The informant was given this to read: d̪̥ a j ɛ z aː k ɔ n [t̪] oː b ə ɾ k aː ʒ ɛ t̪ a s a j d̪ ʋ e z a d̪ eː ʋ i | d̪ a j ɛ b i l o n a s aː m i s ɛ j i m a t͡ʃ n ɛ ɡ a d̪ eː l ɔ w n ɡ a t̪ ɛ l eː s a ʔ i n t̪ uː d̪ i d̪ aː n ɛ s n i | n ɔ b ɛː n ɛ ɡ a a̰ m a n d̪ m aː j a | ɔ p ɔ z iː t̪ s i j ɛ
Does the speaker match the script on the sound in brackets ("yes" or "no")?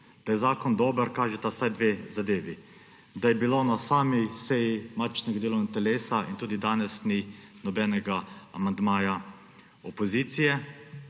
no